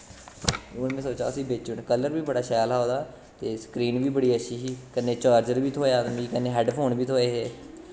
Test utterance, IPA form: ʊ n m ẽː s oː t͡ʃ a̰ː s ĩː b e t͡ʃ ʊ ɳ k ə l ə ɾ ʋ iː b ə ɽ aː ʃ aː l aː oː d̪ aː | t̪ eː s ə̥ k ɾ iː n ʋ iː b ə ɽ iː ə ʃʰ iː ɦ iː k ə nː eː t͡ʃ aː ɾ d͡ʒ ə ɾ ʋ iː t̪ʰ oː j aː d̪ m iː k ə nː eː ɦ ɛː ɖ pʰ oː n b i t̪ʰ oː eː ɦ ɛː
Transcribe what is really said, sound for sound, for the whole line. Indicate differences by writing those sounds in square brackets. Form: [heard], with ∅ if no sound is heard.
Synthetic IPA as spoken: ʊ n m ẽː s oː t͡ʃ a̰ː s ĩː b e t͡ʃ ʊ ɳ k ə l ə ɾ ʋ iː b ə ɽ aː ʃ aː l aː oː d̪ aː | t̪ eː s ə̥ k ɾ iː n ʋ iː b ə ɽ iː ə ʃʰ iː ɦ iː k ə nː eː t͡ʃ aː ɾ d͡ʒ ə ɾ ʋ iː t̪ʰ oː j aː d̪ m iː k ə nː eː ɦ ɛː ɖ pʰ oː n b [iː] t̪ʰ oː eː ɦ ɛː